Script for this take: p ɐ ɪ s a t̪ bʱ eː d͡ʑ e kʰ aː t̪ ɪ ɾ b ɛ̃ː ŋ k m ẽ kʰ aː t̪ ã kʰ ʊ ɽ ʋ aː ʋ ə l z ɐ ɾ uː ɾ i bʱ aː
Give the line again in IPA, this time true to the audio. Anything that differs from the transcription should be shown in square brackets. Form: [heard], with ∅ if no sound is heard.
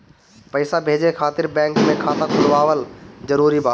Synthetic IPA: p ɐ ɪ s a [∅] bʱ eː d͡ʑ e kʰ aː t̪ ɪ ɾ b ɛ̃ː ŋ k m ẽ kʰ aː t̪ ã kʰ ʊ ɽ ʋ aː ʋ ə l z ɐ ɾ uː ɾ i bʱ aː